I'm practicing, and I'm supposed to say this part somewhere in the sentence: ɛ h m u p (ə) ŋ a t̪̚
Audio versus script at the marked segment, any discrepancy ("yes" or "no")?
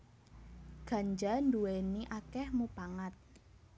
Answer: yes